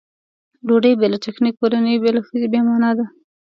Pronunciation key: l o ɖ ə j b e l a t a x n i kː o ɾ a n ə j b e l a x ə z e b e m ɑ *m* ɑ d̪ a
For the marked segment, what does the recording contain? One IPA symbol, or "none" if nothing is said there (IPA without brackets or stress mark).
n